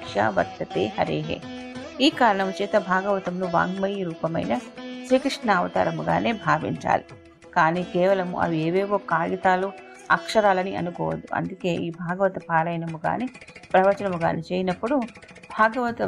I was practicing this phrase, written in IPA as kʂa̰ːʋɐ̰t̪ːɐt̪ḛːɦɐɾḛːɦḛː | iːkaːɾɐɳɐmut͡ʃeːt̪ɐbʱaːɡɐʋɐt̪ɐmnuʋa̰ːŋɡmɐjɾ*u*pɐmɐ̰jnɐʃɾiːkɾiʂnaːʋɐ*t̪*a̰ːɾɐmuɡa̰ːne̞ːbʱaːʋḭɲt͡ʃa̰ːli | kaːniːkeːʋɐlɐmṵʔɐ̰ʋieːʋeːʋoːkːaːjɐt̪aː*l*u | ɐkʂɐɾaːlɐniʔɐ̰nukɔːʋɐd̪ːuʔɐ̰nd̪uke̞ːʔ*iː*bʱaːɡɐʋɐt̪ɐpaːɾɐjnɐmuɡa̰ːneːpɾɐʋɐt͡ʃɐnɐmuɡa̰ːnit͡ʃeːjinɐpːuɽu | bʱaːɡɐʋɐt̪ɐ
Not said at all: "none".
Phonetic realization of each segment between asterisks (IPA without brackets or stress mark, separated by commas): uː, t̪, l, iː